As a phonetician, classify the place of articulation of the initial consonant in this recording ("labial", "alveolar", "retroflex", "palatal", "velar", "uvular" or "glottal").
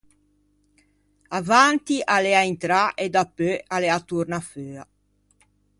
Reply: labial